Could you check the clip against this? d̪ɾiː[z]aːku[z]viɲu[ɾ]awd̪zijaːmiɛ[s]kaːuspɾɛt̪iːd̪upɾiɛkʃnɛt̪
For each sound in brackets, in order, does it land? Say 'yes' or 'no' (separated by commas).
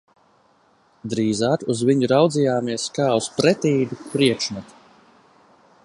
yes, yes, yes, yes